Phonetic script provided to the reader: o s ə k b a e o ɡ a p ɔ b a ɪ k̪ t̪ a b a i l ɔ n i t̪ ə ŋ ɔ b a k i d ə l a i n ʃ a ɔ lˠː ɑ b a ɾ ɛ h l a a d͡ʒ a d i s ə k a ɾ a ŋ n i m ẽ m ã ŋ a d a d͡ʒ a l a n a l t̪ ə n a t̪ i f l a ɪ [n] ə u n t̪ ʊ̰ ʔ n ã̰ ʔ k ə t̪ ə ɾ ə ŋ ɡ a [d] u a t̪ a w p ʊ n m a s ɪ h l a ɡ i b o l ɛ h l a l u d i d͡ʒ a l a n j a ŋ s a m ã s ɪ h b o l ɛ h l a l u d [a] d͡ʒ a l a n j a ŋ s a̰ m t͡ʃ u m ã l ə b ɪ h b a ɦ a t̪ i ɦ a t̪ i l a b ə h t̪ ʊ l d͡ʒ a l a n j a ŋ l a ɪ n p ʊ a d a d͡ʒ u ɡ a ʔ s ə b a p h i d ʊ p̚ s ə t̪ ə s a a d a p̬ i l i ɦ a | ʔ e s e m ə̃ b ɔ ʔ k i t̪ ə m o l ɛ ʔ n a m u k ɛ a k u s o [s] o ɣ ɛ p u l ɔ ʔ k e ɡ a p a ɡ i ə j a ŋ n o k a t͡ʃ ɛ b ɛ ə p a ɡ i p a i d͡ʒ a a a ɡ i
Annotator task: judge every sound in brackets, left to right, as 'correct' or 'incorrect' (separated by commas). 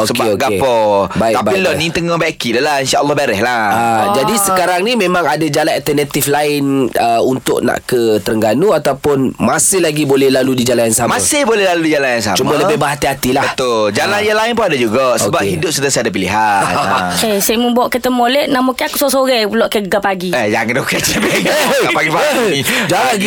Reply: correct, incorrect, incorrect, correct